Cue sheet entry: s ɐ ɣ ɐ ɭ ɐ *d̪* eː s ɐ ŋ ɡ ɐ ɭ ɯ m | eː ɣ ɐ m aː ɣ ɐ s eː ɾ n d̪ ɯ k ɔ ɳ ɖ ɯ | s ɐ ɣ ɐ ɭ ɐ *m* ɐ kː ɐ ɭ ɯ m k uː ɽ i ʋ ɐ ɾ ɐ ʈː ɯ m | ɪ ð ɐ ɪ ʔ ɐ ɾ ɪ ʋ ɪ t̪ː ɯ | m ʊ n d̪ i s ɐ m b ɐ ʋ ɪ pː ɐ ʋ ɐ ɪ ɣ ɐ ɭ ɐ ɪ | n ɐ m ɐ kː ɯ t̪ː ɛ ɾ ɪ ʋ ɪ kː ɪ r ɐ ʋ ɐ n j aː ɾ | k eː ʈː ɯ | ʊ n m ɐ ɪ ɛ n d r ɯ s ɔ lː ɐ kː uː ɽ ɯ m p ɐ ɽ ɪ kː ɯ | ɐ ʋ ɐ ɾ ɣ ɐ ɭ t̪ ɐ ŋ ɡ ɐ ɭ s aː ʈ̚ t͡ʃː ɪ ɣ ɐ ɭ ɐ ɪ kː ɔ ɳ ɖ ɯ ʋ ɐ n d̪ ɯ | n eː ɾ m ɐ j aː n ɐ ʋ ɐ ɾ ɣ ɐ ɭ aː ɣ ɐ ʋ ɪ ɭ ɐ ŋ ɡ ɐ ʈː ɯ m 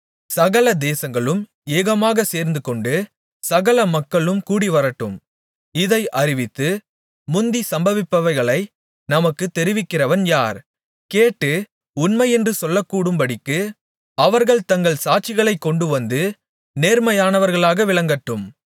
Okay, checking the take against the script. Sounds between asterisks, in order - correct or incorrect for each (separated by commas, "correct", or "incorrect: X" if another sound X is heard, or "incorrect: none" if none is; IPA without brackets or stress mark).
correct, correct